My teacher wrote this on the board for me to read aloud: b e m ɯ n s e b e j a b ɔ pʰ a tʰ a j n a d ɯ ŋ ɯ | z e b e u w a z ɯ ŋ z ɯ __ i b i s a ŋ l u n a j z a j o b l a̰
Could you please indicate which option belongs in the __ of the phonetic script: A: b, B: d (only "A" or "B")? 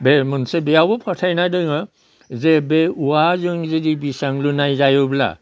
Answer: B